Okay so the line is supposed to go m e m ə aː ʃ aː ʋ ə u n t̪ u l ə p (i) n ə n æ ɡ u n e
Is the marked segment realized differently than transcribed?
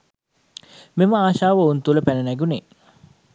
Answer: yes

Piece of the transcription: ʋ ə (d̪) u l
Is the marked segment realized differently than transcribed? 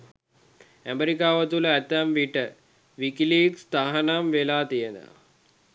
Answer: yes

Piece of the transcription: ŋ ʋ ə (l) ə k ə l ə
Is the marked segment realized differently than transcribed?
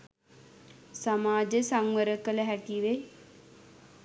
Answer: yes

